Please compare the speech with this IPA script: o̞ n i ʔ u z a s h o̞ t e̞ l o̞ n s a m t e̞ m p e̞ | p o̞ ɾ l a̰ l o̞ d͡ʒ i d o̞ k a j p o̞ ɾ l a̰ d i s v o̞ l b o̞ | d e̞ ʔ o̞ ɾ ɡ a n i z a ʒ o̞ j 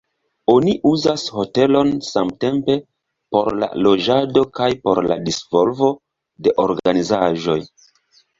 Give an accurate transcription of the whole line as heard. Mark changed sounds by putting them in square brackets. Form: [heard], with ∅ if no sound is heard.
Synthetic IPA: o̞ n i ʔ u z a s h o̞ t e̞ l o̞ n s a m t e̞ m p e̞ | p o̞ ɾ l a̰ l o̞ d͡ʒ [a] d o̞ k a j p o̞ ɾ l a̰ d i s v o̞ l [v] o̞ | d e̞ ʔ o̞ ɾ ɡ a n i z a ʒ o̞ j